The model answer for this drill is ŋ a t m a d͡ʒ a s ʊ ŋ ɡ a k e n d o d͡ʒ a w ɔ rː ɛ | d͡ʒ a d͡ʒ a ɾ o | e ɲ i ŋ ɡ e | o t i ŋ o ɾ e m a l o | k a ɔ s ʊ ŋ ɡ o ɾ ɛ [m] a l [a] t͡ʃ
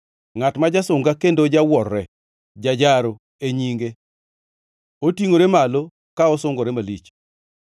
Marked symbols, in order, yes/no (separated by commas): yes, no